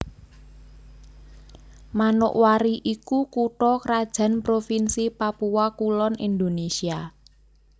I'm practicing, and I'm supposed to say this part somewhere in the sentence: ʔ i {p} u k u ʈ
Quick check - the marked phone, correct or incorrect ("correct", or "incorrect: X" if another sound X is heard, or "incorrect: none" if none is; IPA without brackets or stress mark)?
incorrect: k